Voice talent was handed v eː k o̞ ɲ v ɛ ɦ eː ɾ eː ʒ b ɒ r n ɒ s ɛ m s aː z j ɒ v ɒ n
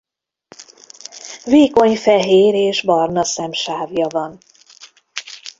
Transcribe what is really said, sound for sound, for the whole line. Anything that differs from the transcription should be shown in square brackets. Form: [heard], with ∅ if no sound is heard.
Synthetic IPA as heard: v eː k o̞ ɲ [f] ɛ ɦ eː ɾ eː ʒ b ɒ r n ɒ s ɛ m [ʃ] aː [v] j ɒ v ɒ n